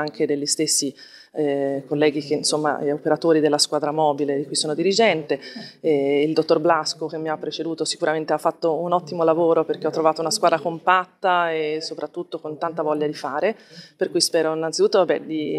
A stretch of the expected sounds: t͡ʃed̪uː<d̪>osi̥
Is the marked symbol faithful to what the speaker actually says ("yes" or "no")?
no